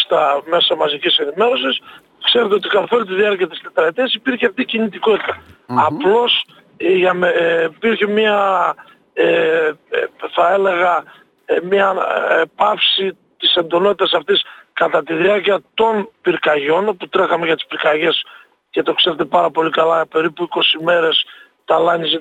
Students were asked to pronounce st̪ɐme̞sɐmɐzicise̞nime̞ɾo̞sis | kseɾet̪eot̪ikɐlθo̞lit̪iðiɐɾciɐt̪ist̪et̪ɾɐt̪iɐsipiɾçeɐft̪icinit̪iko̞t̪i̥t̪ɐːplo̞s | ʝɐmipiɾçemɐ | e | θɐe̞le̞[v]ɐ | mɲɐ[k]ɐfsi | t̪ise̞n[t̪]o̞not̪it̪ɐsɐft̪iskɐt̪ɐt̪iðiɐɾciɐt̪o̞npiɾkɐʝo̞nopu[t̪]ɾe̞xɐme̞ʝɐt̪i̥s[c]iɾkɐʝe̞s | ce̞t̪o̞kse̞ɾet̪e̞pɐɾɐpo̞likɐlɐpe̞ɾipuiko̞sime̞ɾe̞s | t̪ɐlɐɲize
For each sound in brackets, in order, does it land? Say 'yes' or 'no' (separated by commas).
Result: no, no, no, yes, no